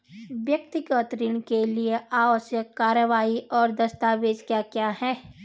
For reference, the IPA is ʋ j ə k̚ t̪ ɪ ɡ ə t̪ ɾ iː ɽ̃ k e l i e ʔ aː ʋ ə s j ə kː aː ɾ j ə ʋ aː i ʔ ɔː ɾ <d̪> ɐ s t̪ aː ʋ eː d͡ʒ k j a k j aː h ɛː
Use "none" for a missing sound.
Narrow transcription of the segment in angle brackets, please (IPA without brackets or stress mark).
d̪